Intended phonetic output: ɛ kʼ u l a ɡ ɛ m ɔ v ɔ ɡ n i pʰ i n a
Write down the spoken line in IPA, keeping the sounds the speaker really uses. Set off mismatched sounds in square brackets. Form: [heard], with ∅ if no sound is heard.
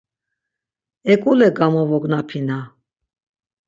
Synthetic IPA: ɛ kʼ u l [ɛ] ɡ [a] m ɔ v ɔ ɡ n [a] pʰ i n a